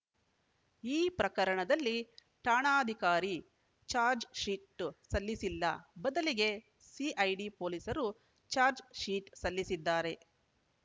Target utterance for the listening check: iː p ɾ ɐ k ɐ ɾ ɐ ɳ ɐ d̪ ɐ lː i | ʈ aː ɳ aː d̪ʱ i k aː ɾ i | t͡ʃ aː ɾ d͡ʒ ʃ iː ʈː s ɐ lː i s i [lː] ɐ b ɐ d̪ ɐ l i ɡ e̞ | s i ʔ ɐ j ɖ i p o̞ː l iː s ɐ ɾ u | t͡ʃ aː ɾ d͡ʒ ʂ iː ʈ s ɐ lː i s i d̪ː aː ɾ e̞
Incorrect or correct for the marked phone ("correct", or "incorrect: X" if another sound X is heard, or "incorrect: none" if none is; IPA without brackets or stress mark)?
correct